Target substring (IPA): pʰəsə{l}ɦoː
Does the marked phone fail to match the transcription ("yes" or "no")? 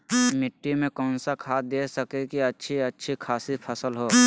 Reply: no